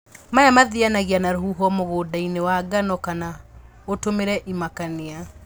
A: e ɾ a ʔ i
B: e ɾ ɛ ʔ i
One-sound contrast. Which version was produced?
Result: B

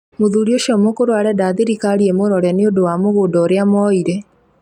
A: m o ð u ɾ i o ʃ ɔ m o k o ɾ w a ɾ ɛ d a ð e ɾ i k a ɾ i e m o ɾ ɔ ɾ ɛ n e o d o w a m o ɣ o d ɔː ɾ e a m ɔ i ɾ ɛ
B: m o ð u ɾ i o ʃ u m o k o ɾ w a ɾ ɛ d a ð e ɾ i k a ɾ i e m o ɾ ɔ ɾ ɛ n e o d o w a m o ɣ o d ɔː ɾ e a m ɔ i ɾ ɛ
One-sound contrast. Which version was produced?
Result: A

